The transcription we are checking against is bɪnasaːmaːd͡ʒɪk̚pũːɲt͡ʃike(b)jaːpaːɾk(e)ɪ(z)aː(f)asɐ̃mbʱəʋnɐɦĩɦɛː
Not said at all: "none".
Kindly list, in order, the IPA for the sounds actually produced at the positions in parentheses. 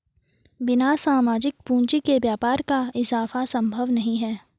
b, a, z, f

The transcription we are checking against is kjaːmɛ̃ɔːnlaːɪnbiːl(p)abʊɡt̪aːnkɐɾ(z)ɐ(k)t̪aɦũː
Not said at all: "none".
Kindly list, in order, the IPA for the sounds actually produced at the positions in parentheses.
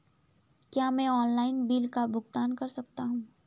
k, s, k

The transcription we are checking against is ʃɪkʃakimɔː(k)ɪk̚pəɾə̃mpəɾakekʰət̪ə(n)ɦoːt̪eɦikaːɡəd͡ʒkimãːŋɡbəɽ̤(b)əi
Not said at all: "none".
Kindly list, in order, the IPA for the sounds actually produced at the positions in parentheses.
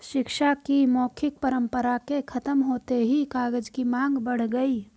kʰ, m, ɡ

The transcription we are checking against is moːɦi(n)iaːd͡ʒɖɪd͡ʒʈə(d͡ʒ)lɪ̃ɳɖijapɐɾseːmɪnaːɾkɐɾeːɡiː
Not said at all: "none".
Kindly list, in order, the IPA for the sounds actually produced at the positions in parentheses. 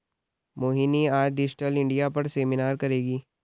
n, none

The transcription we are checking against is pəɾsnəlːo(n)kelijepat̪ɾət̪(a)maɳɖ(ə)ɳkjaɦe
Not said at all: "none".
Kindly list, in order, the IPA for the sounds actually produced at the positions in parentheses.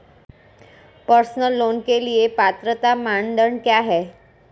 n, a, ə

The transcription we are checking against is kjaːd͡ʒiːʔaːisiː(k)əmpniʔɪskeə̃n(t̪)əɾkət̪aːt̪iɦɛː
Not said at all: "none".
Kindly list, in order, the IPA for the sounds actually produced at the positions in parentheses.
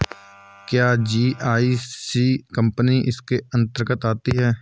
k, t̪

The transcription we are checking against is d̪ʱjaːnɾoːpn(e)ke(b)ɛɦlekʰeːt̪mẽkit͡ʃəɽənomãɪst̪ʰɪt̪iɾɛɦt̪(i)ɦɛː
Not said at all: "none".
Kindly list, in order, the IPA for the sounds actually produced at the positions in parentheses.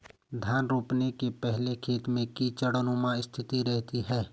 e, p, i

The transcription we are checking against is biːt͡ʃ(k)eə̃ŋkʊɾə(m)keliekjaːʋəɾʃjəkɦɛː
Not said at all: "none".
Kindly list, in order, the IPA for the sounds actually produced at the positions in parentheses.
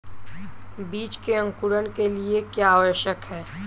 k, n

